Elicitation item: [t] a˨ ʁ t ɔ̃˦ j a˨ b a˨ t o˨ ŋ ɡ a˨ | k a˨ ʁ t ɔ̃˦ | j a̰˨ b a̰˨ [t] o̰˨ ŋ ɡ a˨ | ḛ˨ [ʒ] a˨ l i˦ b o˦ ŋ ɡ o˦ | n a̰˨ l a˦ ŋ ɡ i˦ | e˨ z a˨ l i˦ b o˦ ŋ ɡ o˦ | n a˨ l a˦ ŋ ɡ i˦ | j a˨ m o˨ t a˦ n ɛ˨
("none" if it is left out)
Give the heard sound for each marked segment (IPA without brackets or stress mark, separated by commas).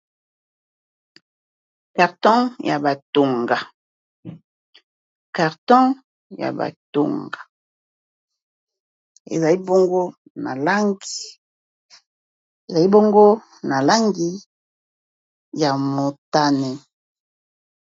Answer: k, t, z